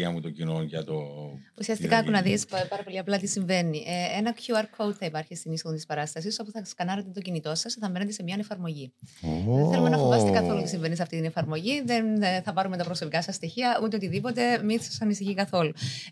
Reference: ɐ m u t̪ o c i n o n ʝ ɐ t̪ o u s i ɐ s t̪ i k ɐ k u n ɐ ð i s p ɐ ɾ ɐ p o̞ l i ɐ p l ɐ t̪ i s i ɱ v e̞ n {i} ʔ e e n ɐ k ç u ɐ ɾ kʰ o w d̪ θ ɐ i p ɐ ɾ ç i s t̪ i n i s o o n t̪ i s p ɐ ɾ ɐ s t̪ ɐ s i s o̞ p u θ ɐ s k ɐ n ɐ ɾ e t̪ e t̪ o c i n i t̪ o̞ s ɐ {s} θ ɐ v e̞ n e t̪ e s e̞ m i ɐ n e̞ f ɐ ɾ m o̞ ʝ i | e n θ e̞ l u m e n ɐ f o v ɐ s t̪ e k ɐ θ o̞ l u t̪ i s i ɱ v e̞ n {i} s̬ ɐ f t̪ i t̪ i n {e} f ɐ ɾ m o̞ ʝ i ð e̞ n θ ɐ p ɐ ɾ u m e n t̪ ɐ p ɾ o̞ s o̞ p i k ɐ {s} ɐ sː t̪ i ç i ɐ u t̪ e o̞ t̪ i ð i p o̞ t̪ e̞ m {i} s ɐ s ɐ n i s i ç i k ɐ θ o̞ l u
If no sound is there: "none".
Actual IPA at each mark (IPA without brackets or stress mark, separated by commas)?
i, s, i, e, s, i